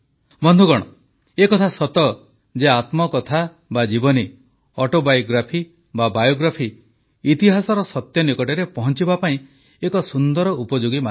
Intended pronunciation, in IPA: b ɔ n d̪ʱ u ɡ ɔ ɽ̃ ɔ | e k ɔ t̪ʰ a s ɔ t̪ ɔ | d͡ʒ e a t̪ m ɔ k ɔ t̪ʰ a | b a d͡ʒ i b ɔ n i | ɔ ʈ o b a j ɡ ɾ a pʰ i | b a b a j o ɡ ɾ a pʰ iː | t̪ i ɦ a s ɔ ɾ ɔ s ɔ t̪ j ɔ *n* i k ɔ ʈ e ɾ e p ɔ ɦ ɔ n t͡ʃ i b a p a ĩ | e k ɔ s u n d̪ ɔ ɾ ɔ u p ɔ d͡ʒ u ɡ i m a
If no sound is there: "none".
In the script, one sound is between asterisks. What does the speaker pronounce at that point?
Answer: n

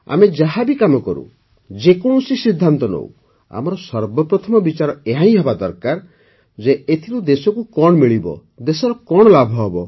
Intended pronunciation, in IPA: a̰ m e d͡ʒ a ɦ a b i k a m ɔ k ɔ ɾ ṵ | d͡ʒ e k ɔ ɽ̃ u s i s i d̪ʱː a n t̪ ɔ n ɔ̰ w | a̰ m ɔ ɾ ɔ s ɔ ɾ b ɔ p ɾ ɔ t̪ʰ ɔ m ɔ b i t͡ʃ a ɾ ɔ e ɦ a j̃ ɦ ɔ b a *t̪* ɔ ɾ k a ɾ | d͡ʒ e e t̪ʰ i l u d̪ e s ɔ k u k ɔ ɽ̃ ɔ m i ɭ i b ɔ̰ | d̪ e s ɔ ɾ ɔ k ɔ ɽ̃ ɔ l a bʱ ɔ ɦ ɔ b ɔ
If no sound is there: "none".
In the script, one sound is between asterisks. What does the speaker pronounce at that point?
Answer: d̪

